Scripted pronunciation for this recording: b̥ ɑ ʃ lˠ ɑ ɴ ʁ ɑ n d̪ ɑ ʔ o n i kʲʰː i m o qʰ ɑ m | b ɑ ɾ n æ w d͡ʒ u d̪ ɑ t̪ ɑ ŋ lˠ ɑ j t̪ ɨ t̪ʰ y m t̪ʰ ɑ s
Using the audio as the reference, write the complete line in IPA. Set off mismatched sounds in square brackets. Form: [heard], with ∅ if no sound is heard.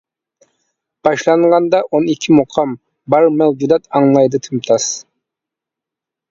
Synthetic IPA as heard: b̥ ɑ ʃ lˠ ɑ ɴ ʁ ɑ n d̪ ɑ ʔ o n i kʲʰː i m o qʰ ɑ m | b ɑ ɾ [m] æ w d͡ʒ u d̪ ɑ t̪ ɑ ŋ lˠ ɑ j [d̪] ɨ t̪ʰ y m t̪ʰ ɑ s